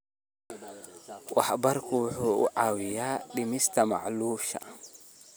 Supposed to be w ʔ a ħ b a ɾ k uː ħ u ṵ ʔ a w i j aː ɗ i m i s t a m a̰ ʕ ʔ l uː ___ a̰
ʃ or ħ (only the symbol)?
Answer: ʃ